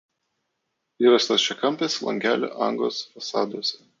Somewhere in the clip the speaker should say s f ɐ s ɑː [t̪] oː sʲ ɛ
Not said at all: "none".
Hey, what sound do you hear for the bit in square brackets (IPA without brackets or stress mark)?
d̪